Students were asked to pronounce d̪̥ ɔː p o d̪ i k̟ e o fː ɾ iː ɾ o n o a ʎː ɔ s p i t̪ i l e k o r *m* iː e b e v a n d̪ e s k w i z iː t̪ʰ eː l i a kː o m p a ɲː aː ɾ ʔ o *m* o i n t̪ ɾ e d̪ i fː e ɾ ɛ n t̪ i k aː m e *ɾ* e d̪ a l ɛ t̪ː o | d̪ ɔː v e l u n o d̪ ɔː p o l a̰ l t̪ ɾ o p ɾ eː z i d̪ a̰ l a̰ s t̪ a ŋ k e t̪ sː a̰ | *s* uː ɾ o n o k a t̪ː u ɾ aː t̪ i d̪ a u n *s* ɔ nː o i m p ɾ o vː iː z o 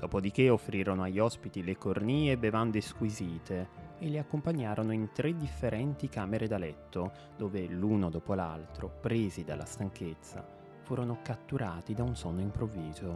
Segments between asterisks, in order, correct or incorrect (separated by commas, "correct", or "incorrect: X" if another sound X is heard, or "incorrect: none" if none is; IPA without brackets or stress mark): incorrect: n, incorrect: n, correct, incorrect: f, correct